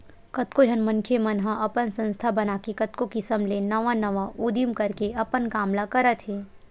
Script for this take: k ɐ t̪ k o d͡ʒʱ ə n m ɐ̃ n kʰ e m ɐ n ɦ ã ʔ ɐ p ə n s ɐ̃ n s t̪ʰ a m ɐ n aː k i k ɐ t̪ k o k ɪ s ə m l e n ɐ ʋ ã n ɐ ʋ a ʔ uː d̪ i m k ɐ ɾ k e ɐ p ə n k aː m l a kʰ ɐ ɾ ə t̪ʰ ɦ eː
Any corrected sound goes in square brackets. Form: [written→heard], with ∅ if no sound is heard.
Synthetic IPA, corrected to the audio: k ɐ t̪ k o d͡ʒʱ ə n m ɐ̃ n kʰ e m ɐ n ɦ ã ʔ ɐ p ə n s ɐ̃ n s t̪ʰ a [m→b] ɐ n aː k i k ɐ t̪ k o k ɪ s ə m l e n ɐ ʋ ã n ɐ ʋ a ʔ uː d̪ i m k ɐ ɾ k e ɐ p ə n k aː m l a [kʰ→k] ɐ ɾ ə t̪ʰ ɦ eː